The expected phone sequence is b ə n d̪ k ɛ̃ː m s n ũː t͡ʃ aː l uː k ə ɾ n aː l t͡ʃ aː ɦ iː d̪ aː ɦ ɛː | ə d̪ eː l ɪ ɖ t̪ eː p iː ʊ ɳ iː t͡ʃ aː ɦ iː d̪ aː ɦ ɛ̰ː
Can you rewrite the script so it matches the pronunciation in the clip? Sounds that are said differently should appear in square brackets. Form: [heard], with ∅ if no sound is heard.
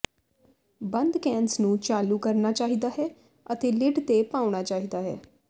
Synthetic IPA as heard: b ə n d̪ k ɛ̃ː [n] s n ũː t͡ʃ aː l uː k ə ɾ n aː [∅] t͡ʃ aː ɦ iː d̪ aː ɦ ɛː | ə [t̪] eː l ɪ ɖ t̪ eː p [aː] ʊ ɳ [aː] t͡ʃ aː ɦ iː d̪ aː ɦ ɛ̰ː